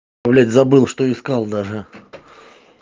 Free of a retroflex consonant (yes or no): no